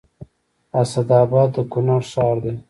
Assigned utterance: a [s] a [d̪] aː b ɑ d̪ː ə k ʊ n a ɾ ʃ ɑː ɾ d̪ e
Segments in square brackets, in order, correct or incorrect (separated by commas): correct, correct